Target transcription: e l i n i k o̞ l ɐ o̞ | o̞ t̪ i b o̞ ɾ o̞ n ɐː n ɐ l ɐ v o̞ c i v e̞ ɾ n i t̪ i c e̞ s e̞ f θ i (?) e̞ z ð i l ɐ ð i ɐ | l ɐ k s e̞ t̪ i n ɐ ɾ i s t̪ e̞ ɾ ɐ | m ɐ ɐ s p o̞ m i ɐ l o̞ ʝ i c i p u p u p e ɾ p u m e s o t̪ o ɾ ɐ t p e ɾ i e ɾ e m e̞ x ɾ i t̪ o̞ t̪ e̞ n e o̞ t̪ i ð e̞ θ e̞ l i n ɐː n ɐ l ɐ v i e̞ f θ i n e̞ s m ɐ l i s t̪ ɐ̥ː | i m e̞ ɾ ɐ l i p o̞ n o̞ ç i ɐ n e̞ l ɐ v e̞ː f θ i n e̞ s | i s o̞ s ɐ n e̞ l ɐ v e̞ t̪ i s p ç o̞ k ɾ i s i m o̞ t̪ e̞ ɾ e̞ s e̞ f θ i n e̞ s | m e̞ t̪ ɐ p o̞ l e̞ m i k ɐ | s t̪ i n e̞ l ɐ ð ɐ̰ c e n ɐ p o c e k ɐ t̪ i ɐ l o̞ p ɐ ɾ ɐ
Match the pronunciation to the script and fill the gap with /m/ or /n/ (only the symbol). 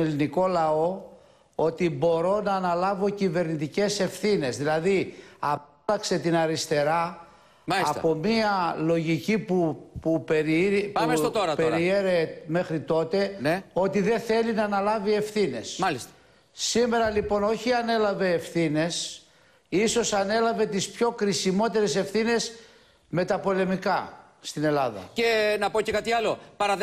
n